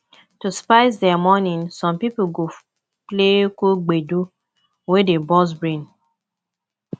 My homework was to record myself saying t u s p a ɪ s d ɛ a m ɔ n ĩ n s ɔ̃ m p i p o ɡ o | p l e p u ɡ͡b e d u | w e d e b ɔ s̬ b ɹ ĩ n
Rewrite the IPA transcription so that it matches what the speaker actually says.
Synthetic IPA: t u s p a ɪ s d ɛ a m ɔ n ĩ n s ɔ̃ m p i p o ɡ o | p l e k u ɡ͡b e d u | w e d e b ɔ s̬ b ɹ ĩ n